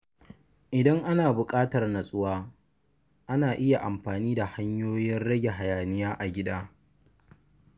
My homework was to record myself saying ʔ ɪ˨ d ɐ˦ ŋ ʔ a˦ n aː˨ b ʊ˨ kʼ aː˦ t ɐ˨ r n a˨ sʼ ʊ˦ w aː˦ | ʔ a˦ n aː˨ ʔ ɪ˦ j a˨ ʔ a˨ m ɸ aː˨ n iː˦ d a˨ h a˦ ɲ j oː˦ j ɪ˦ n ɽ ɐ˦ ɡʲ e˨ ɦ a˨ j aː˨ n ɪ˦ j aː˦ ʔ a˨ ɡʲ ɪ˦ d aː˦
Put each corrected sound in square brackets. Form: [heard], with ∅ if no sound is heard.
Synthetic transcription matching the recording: ʔ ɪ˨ d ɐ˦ ŋ ʔ a˦ n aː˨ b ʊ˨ kʼ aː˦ t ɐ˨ r n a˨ sʼ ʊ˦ w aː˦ | ʔ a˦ n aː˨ ʔ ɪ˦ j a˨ ʔ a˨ m ɸ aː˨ n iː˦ d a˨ h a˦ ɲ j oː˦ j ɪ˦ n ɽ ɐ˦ ɡʲ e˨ ɦ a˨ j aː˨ n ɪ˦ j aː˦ ʔ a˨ ɡʲ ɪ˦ d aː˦

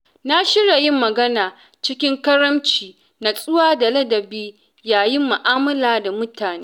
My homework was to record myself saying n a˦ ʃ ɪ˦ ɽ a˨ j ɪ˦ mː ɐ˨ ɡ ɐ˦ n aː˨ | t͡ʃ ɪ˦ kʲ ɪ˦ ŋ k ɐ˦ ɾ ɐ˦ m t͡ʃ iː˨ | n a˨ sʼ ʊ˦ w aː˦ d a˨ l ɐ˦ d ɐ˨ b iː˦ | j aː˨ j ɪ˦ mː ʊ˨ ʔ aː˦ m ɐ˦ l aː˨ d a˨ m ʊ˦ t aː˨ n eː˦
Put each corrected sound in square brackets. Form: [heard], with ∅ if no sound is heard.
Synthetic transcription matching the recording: n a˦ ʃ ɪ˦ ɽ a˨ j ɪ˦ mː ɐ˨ ɡ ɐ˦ n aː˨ | t͡ʃ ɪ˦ kʲ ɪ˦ ŋ k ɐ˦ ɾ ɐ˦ m t͡ʃ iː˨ | n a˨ sʼ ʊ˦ w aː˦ d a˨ l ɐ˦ d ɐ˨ b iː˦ | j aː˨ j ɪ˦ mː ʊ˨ ʔ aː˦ m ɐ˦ l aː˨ d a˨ m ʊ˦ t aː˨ n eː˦

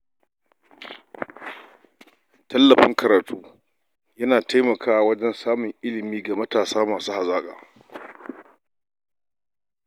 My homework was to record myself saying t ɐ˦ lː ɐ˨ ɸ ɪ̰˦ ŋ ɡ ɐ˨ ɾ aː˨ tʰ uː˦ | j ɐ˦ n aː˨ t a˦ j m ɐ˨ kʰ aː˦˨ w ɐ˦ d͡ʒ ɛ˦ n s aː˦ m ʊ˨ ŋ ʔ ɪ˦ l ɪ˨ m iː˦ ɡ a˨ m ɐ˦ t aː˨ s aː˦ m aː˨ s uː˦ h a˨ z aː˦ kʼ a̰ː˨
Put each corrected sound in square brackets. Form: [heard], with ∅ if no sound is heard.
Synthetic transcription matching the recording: t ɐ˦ lː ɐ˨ ɸ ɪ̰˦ ŋ [k] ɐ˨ ɾ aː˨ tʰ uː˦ | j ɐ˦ n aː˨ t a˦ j m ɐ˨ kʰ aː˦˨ w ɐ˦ d͡ʒ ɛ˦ n s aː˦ m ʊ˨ ŋ ʔ ɪ˦ l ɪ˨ m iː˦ ɡ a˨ m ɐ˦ t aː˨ s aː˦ m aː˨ s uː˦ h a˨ z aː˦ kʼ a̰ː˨

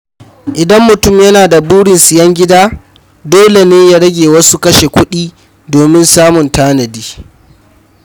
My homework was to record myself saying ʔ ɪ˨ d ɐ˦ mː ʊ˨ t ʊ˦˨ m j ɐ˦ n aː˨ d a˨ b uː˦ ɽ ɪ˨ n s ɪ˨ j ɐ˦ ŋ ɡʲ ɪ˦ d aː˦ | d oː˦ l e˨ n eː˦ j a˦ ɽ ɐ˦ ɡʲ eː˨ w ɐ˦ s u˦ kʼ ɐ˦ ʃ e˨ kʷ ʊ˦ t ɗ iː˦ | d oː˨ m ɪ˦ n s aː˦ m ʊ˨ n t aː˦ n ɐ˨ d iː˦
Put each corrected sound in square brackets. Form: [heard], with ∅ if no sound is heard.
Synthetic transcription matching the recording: ʔ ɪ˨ d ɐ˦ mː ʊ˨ t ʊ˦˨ m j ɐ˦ n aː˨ d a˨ b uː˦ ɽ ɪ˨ n s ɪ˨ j ɐ˦ ŋ ɡʲ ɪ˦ d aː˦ | d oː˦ l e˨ n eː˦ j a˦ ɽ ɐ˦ ɡʲ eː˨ w ɐ˦ s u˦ [k] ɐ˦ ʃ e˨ kʷ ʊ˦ [∅] ɗ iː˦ | d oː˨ m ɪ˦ n s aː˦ m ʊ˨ n t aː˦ n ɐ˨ d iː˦

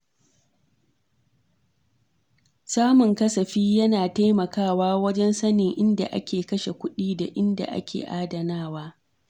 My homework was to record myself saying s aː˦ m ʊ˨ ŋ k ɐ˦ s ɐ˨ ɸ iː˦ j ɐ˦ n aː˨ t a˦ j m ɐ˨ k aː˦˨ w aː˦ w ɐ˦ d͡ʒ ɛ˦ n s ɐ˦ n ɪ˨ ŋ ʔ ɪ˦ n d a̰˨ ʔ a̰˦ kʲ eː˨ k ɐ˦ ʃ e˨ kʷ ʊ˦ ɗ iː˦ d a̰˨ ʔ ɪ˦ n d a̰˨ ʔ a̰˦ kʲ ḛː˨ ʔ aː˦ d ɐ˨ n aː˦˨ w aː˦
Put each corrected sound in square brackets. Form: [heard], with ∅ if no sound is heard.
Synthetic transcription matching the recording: s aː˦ m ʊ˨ ŋ k ɐ˦ s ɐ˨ ɸ iː˦ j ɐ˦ n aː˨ t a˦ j m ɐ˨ k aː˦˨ w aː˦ w ɐ˦ d͡ʒ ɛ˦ n s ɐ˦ n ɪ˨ ŋ ʔ ɪ˦ n d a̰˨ ʔ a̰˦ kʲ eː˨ k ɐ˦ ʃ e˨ kʷ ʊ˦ ɗ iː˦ d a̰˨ ʔ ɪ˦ n d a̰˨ ʔ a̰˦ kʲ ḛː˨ ʔ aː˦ d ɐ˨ n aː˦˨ w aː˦

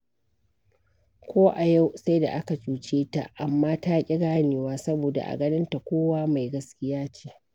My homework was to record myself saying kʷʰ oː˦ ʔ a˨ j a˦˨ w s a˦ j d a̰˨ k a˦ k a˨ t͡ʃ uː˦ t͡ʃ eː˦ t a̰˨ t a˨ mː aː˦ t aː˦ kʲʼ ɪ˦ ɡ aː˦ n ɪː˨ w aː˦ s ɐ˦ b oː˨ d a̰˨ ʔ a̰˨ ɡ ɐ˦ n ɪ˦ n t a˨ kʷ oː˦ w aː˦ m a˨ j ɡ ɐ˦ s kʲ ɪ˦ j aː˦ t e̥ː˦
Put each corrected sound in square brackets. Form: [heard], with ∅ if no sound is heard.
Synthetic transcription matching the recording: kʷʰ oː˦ ʔ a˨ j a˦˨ w s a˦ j d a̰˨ [ʔ] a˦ k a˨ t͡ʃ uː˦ t͡ʃ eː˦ t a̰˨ [ʔ] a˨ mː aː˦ t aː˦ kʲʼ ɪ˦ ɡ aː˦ n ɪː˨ w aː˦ s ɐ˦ b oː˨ d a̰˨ ʔ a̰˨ ɡ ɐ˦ n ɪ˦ n t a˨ kʷ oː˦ w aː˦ m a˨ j ɡ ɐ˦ s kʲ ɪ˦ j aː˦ [t͡ʃ] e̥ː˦

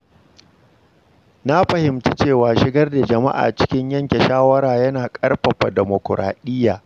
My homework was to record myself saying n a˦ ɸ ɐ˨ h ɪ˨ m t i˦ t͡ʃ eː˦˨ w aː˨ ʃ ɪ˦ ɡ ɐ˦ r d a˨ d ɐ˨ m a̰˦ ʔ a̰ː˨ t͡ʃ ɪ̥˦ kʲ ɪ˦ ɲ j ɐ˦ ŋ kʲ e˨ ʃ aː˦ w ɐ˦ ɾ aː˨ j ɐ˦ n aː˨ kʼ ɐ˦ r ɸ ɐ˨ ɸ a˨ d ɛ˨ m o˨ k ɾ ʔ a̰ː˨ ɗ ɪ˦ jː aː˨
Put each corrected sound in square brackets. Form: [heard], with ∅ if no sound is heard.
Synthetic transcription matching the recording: n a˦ ɸ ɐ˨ h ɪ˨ m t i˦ t͡ʃ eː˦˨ w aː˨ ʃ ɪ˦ ɡ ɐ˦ r d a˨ [d͡ʒ] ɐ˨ m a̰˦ ʔ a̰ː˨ t͡ʃ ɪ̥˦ kʲ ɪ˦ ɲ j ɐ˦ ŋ kʲ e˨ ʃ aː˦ w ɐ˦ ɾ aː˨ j ɐ˦ n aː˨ kʼ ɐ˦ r ɸ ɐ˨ ɸ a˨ d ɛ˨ m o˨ k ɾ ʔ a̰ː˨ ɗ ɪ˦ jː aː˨

